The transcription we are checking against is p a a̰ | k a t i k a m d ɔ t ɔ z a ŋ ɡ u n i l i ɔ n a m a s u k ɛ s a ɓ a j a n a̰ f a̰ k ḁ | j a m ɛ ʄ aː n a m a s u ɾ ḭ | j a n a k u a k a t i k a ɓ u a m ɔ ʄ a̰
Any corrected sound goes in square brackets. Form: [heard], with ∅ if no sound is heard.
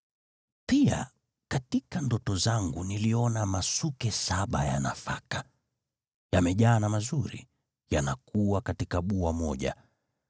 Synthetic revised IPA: p [i] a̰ | k a t i k a [n] d ɔ t ɔ z a ŋ ɡ u n i l i ɔ n a m a s u k ɛ s a ɓ a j a n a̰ f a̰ k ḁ | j a m ɛ ʄ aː n a m a [z] u ɾ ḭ | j a n a k u a k a t i k a ɓ u a m ɔ ʄ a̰

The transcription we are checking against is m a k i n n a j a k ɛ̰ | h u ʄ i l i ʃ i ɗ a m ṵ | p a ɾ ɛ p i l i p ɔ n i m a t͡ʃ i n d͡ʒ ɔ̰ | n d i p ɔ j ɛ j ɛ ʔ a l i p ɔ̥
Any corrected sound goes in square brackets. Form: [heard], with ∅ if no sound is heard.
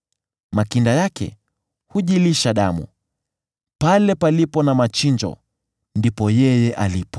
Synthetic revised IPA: m a k i n [d] a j a k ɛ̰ | h u ʄ i l i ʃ [a] ɗ a m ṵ | p a [l] ɛ p [a] l i p ɔ n [a] m a t͡ʃ i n d͡ʒ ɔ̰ | n d i p ɔ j ɛ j ɛ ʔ a l i p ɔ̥

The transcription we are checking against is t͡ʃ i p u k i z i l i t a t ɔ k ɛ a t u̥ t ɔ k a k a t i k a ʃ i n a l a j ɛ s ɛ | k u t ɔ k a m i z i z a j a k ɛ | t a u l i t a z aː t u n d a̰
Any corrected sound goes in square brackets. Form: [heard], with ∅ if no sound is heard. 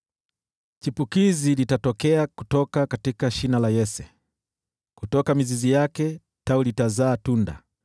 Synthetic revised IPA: t͡ʃ i p u k i z i l i t a t ɔ k ɛ a [k] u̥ t ɔ k a k a t i k a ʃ i n a l a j ɛ s ɛ | k u t ɔ k a m i z i z [i] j a k ɛ | t a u l i t a z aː t u n d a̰

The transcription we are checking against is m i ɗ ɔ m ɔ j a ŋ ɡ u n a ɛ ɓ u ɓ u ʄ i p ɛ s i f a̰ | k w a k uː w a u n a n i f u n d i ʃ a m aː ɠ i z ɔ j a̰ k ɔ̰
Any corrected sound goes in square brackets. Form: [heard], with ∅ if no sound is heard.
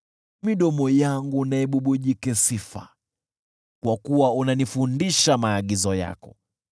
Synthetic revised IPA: m i ɗ ɔ m ɔ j a ŋ ɡ u n a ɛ ɓ u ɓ u ʄ i [k] ɛ s i f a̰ | k w a k [u] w a u n a n i f u n d i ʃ a m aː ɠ i z ɔ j a̰ k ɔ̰

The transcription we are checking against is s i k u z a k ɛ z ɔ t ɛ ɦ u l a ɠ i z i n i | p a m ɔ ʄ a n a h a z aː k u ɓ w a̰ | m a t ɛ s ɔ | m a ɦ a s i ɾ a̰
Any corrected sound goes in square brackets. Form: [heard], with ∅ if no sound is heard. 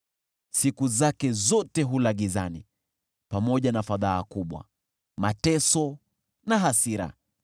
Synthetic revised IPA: s i k u z a k ɛ z ɔ t ɛ ɦ u l a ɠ i z [a] n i | p a m ɔ ʄ a n a [f] a [ð] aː k u ɓ w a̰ | m a t ɛ s ɔ | [n] a ɦ a s i ɾ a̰

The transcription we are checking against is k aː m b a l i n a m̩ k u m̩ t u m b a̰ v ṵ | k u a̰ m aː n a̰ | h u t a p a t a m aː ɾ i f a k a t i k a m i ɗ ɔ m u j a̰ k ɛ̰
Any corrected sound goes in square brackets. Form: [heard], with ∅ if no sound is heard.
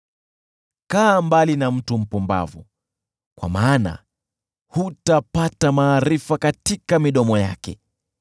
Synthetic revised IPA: k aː m b a l i n a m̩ [t] u m̩ [p] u m b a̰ v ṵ | k [w] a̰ m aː n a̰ | h u t a p a t a m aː ɾ i f a k a t i k a m i ɗ ɔ m [ɔ] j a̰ k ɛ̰

